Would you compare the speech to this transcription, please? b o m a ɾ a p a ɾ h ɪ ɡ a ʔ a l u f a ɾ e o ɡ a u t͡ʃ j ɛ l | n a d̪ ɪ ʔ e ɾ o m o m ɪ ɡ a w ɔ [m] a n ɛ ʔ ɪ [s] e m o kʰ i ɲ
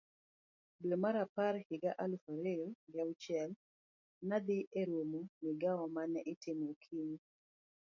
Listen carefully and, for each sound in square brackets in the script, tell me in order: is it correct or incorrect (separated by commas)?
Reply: correct, incorrect